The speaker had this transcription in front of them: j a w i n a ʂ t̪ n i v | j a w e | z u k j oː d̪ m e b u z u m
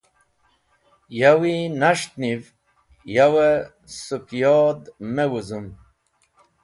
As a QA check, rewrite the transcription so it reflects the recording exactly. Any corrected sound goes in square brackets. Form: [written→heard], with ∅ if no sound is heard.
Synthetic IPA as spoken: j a w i n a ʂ t̪ n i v | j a w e | [z→s] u k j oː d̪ m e [b→w] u z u m